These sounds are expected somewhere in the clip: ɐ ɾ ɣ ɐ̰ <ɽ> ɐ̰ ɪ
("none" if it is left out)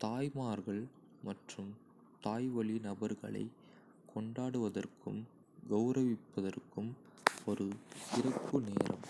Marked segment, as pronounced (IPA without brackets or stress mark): ɭ